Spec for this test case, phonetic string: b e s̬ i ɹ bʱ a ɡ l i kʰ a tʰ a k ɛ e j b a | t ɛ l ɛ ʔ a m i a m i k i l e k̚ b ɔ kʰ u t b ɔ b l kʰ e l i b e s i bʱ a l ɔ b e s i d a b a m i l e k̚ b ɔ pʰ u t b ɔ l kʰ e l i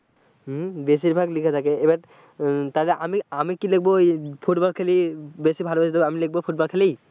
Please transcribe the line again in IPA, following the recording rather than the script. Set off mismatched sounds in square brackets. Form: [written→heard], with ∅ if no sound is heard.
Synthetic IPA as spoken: b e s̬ i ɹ bʱ a ɡ l i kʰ a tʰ a k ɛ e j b a | t [ɛ→a] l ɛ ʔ a m i a m i k i l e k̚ b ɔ [kʰ→pʰ] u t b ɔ [b→∅] l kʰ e l i b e s i bʱ a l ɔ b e s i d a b a m i l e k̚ b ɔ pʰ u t b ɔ l kʰ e l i